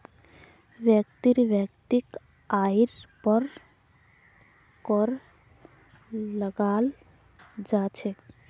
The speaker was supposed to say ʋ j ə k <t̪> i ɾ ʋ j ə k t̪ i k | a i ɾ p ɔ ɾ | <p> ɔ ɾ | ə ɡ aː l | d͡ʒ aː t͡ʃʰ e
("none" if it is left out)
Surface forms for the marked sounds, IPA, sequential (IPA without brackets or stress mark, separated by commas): t̪, k